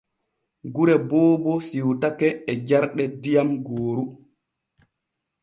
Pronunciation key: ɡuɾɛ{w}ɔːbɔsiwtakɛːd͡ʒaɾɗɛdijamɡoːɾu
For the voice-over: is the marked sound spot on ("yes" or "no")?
no